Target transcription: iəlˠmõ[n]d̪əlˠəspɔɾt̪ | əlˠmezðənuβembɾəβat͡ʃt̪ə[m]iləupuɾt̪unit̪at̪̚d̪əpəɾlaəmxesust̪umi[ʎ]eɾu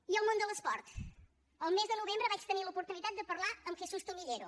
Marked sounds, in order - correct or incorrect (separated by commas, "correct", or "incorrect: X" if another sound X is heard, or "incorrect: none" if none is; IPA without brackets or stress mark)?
correct, incorrect: n, correct